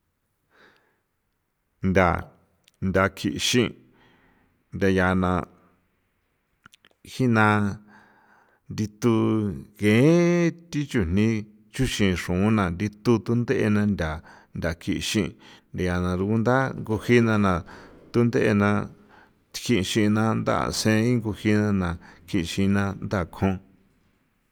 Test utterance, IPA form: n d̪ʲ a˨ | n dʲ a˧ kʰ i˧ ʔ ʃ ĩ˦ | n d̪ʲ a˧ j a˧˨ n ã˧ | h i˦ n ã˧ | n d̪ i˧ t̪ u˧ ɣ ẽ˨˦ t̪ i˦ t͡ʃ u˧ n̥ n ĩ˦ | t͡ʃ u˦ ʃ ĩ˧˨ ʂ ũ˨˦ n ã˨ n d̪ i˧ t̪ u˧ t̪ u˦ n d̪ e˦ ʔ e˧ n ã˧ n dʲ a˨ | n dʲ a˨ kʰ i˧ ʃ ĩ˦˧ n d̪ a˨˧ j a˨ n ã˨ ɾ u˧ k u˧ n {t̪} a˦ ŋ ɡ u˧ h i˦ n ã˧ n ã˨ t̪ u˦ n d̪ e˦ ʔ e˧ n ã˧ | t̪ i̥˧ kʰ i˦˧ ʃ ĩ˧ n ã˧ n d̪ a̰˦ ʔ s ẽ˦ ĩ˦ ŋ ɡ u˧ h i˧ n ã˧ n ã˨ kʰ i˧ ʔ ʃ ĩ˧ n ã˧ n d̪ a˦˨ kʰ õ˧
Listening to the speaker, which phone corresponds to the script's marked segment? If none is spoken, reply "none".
d̪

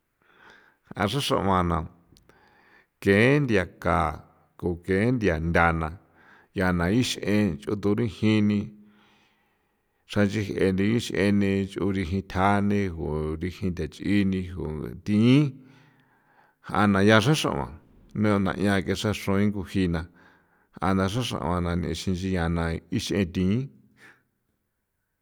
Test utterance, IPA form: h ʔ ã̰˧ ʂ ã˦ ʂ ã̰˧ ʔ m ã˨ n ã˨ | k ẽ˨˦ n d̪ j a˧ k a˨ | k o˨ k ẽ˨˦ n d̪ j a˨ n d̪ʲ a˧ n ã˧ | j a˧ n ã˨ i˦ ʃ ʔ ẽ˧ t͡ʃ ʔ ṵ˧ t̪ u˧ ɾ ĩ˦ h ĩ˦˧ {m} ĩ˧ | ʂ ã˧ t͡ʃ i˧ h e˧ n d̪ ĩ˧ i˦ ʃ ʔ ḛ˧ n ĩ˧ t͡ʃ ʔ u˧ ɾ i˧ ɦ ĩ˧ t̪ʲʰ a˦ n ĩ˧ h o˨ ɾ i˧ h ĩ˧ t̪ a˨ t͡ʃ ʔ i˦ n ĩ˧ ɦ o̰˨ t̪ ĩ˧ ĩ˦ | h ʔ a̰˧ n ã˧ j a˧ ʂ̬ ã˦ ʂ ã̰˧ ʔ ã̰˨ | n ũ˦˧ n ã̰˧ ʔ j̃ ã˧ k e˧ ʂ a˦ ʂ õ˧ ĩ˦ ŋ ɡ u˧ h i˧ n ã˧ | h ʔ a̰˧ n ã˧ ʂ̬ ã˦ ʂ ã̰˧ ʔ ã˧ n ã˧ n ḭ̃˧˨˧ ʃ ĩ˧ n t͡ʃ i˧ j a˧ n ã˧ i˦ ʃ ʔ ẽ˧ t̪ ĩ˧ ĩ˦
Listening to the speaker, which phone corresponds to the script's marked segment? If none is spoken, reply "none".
n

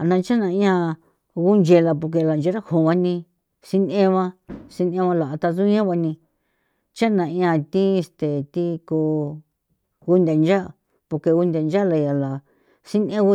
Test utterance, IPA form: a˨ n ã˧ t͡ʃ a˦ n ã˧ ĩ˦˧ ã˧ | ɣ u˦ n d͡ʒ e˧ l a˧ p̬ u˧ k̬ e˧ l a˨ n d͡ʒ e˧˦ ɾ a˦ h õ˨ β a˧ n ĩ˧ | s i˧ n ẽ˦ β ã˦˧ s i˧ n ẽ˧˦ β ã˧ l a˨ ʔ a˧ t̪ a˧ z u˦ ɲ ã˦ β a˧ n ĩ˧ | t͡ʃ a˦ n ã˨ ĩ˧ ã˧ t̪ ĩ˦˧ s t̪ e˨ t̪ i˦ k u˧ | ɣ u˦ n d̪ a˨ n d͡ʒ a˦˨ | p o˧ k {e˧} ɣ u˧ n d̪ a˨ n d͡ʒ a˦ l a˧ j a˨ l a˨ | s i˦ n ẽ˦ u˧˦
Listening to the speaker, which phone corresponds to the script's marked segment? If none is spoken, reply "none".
e˧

